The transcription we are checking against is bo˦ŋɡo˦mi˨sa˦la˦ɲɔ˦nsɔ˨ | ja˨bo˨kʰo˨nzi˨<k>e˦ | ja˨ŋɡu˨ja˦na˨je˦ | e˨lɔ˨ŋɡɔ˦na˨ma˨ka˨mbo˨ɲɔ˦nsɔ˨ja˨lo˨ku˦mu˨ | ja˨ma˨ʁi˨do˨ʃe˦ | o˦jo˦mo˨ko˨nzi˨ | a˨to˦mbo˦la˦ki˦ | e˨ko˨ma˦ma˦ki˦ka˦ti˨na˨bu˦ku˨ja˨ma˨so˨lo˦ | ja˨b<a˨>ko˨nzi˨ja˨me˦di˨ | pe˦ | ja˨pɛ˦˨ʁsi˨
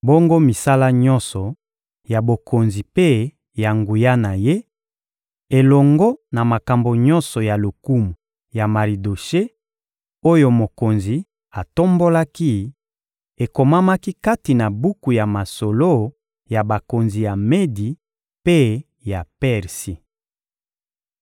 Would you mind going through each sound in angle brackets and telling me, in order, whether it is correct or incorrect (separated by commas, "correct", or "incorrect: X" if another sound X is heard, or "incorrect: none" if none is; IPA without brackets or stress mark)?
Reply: incorrect: p, correct